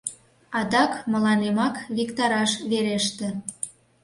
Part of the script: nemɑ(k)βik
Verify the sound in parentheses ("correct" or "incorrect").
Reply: correct